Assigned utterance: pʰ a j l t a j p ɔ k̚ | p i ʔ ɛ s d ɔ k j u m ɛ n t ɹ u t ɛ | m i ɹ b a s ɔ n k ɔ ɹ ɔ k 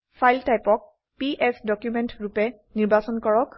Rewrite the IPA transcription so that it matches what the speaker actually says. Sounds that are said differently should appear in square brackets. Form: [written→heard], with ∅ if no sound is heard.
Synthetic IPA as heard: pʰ a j l t a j p ɔ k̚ | p i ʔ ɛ s d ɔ k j u m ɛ n t ɹ u [t→p] ɛ | [m→n] i ɹ b a s ɔ n k ɔ ɹ ɔ k

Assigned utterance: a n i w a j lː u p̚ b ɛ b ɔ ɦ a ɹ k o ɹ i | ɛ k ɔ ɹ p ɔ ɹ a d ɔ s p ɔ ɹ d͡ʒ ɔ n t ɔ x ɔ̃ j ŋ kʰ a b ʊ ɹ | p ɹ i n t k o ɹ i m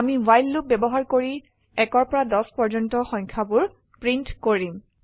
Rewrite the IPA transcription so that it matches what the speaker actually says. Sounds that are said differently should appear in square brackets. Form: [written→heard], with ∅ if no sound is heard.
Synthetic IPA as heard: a [n→m] i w a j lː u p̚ b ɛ b ɔ ɦ a ɹ k o ɹ i | ɛ k ɔ ɹ p ɔ ɹ a d ɔ s p ɔ ɹ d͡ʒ ɔ n t ɔ x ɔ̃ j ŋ kʰ a b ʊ ɹ | p ɹ i n t k o ɹ i m

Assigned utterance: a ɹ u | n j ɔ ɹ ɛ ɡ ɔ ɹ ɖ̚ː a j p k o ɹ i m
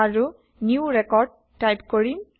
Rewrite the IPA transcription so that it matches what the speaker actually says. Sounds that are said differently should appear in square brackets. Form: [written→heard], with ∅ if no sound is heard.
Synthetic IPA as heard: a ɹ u | n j [ɔ→u] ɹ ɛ [ɡ→k] ɔ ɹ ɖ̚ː a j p k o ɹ i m

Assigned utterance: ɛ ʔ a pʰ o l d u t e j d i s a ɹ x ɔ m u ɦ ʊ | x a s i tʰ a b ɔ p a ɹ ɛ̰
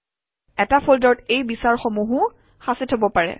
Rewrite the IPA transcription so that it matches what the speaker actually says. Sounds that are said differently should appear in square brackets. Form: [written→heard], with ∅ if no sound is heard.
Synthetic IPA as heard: ɛ [ʔ→t] a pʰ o l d [u→ɔ] t e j [d→b] i s a ɹ x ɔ m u ɦ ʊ | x a s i tʰ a b ɔ p a ɹ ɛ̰

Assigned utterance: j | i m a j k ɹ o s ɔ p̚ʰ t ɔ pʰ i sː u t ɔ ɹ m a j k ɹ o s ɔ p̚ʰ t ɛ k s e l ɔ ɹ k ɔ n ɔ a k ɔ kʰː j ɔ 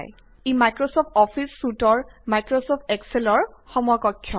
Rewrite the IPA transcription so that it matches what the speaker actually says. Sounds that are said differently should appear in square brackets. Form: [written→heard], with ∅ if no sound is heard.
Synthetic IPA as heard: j | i m a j k ɹ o s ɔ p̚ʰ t ɔ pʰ i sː u t ɔ ɹ m a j k ɹ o s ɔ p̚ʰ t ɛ k s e l ɔ ɹ [k→x] ɔ [n→m] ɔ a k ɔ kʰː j ɔ

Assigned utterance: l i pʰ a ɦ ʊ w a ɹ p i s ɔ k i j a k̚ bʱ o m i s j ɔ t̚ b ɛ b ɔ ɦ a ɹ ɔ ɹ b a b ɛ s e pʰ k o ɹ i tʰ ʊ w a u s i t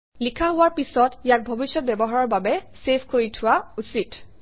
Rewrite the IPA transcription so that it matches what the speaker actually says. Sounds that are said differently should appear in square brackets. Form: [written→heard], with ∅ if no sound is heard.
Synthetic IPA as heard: l i [pʰ→kʰ] a ɦ ʊ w a ɹ p i s ɔ [k→t] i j a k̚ bʱ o [m→b] i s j ɔ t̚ b ɛ b ɔ ɦ a ɹ ɔ ɹ b a b ɛ s e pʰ k o ɹ i tʰ ʊ w a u s i t

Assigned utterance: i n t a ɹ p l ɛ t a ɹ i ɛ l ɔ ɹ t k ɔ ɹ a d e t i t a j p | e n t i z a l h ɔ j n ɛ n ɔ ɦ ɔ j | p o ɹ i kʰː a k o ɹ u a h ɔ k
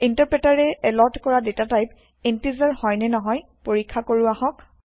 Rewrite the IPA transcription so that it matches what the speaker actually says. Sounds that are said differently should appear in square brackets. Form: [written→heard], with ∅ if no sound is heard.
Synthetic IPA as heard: i n t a ɹ p [l→ɹ] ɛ t a ɹ [i→ɛ] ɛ l ɔ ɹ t k ɔ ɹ a d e t [i→a] t a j p | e n t i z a [l→ɹ] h ɔ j n ɛ n ɔ ɦ ɔ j | p o ɹ i kʰː a k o ɹ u a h ɔ k

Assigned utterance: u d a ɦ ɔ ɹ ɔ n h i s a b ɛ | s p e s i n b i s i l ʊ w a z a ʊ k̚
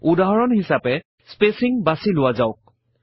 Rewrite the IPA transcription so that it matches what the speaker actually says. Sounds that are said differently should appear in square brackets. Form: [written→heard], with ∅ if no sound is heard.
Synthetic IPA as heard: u d a ɦ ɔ ɹ ɔ n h i s a [b→p] ɛ | s p e s i [n→ŋ] b [i→a] s i l ʊ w a z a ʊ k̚

